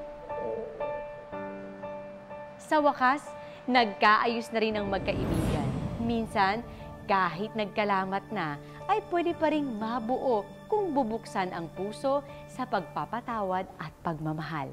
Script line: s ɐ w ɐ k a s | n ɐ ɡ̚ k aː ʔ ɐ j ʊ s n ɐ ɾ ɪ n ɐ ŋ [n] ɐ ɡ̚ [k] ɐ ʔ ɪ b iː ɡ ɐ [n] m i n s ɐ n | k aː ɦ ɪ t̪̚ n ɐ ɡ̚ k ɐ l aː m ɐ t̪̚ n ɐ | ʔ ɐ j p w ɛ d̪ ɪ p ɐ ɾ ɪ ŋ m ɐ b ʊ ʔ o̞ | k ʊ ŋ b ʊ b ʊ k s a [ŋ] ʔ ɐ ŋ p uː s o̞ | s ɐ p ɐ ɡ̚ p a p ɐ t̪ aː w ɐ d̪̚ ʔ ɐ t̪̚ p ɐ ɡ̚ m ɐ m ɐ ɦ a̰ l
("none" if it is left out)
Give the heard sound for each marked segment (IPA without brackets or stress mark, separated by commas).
m, k, n, n